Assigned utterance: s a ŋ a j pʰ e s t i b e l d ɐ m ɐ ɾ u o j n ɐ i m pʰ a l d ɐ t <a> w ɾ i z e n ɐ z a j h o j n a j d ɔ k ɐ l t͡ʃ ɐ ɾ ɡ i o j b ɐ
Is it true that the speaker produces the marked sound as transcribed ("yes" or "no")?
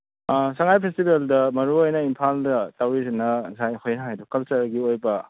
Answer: yes